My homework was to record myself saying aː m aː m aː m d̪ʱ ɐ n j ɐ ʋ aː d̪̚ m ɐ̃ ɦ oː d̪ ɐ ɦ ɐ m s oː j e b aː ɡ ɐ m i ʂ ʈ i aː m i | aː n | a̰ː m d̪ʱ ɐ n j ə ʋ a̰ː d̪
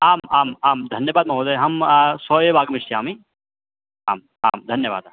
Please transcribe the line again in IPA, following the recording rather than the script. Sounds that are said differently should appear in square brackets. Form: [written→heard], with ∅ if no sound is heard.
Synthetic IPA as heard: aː m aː m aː m d̪ʱ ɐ n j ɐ ʋ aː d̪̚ m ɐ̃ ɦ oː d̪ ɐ ɦ ɐ m s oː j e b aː ɡ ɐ m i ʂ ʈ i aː m i | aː [n→m] | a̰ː m d̪ʱ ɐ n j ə ʋ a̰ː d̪